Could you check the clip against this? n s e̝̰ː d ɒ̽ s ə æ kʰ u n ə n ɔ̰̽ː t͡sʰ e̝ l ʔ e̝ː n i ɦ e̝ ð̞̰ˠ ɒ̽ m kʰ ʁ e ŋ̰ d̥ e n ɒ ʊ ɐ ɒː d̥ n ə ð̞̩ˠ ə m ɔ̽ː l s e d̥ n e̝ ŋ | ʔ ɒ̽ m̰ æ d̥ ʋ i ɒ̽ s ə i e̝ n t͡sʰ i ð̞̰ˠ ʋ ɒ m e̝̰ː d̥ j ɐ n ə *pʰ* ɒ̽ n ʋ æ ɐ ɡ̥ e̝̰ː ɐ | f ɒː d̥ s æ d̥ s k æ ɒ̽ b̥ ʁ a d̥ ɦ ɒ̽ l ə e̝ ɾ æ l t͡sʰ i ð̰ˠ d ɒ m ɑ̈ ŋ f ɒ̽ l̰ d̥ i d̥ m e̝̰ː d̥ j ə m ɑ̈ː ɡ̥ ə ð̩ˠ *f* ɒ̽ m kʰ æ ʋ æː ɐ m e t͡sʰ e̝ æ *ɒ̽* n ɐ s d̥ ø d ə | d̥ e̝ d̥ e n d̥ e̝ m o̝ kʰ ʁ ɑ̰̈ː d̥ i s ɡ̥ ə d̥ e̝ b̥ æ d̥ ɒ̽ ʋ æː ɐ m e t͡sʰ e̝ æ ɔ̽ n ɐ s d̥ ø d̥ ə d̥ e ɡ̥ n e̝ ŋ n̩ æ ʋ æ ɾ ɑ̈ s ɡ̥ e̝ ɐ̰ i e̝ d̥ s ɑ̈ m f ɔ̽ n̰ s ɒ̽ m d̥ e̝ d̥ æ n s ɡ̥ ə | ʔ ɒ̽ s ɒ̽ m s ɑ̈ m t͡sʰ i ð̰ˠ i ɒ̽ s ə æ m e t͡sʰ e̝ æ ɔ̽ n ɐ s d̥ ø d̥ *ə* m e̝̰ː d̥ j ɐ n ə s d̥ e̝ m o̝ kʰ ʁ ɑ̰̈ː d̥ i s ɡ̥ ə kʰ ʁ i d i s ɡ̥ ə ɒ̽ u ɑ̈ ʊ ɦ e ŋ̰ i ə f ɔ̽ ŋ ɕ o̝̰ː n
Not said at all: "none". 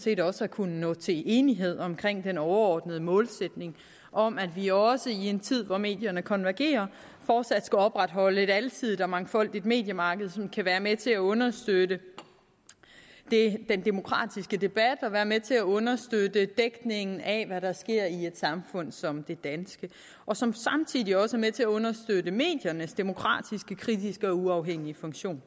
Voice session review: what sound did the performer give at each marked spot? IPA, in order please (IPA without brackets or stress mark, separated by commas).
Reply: kʰ, s, ɔ̽, ə